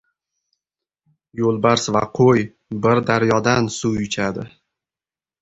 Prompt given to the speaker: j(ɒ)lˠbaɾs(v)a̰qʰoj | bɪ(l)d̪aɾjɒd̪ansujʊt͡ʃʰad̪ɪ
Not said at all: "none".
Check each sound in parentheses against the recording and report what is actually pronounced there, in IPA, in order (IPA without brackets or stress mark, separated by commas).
o, v, ɾ